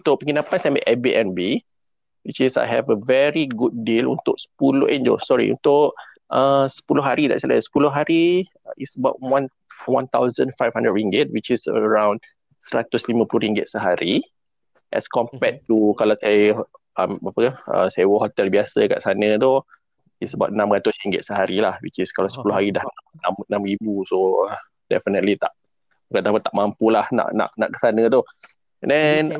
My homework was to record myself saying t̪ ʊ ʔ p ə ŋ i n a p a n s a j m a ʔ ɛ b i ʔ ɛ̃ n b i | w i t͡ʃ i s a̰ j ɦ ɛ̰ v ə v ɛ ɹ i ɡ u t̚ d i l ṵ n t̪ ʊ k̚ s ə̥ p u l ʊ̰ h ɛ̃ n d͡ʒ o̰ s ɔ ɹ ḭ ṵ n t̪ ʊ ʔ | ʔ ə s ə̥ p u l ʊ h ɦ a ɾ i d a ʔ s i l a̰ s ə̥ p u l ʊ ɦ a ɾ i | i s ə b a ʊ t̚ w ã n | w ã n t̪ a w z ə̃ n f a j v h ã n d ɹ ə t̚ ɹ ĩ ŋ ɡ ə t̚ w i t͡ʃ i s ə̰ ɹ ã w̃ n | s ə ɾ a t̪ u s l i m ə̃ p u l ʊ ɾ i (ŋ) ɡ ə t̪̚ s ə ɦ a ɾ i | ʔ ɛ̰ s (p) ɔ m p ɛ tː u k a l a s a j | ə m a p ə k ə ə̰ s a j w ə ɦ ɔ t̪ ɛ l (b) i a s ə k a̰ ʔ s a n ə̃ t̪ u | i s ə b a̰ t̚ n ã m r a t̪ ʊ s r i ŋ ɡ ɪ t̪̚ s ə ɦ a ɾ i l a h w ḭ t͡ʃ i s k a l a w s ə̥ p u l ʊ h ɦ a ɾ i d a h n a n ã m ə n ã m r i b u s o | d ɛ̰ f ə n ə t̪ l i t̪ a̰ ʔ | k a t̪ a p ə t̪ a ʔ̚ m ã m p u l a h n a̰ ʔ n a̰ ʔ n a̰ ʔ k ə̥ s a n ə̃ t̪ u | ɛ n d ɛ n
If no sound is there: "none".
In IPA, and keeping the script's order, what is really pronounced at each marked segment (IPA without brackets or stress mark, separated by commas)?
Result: ŋ, k, b